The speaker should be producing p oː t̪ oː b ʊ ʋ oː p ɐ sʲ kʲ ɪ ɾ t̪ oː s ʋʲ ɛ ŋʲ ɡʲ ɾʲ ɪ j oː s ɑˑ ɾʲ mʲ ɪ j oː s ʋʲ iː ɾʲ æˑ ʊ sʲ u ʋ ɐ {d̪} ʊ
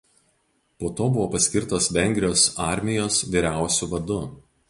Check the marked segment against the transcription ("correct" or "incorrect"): correct